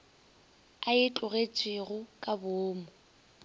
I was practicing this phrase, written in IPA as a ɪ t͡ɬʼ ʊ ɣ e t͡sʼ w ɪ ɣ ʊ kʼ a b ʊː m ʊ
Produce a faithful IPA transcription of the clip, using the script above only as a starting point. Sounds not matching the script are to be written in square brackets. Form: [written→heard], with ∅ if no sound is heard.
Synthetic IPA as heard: a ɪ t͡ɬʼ ʊ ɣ e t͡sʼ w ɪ ɣ ʊ kʼ a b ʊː m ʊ